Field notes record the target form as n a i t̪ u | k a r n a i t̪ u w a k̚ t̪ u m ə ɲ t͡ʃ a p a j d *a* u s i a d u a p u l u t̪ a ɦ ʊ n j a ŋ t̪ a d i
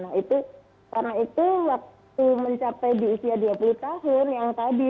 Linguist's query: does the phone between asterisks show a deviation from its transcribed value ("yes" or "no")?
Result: yes